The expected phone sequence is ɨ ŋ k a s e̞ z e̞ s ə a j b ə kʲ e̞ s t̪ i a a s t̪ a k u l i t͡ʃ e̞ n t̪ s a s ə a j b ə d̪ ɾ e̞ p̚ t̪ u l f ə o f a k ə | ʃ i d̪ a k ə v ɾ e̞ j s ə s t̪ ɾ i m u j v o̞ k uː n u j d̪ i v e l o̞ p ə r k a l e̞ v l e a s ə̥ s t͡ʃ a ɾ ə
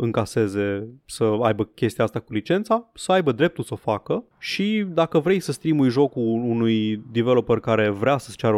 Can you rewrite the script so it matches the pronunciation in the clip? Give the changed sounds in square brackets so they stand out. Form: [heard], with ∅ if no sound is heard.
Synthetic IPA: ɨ ŋ k a s e̞ z e̞ s ə a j b ə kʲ e̞ s t̪ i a a s t̪ a k u l i t͡ʃ e̞ n t̪ s a s ə a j b ə d̪ ɾ e̞ p̚ t̪ u l [s] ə o f a k ə | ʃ i d̪ a k ə v ɾ e̞ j s ə s t̪ ɾ i m u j [ʒ] o̞ k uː n u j d̪ i v e l o̞ p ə r k a [ɾ] e̞ v [ɾ] e a s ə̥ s t͡ʃ a ɾ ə